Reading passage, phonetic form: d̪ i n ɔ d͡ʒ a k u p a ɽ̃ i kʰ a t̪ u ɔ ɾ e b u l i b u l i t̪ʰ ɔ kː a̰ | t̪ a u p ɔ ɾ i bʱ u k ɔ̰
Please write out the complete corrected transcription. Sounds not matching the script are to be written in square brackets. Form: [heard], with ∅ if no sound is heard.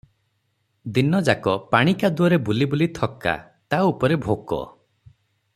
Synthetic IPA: d̪ i n ɔ d͡ʒ a k [ɔ] p a ɽ̃ i [k] a [d̪] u ɔ ɾ e b u l i b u l i t̪ʰ ɔ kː a̰ | t̪ a u p ɔ ɾ [e] bʱ [o] k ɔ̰